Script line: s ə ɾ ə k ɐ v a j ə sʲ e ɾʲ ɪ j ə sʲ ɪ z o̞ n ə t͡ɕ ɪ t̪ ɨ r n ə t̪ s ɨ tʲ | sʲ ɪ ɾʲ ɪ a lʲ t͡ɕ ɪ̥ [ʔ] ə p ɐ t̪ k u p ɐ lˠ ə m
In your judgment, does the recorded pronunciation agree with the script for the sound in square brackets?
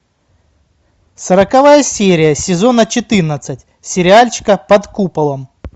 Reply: no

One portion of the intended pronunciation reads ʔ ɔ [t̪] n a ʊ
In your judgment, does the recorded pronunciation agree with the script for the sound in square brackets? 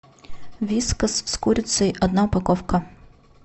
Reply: no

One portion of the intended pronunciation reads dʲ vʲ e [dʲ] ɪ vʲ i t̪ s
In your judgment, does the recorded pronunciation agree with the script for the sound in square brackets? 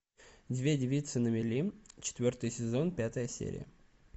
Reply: yes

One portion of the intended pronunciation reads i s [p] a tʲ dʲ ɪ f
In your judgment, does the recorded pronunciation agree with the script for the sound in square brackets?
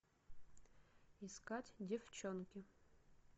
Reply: no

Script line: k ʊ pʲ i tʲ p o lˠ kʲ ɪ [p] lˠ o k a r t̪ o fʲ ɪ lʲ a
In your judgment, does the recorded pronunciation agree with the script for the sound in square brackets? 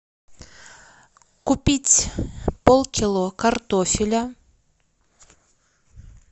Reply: no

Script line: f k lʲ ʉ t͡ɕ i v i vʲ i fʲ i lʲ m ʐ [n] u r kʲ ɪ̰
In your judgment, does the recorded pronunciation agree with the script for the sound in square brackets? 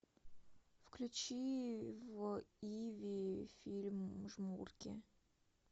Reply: no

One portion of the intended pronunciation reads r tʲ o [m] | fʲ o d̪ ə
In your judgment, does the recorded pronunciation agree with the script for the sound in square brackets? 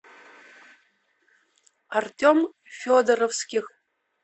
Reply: yes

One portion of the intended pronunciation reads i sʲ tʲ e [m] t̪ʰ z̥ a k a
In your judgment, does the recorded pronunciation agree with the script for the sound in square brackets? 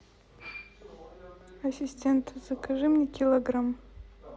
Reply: no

